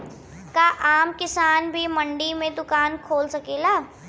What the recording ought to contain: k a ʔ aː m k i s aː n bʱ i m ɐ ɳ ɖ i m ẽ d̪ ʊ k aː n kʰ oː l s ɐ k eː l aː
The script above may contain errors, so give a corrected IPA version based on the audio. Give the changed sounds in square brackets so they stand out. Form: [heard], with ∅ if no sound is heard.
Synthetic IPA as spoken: k a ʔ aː m k [ɪ] s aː n bʱ i m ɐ ɳ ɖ i m ẽ d̪ ʊ k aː n kʰ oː l s ɐ k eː l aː